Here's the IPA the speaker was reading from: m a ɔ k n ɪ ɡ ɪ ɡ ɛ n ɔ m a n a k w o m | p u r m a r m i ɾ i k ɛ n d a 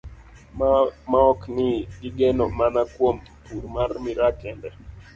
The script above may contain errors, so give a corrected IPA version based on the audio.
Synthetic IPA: m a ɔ k n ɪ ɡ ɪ ɡ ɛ n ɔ m a n a k w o m | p u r m a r m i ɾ a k ɛ n d ɛ